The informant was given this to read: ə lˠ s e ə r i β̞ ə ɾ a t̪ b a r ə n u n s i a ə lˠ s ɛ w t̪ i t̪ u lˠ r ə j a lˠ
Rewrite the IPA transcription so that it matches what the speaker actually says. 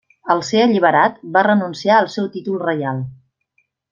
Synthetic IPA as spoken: ə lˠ s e ə ʎ i β̞ ə ɾ a t̪ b a r ə n u n s i a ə lˠ s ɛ w t̪ i t̪ u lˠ r ə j a lˠ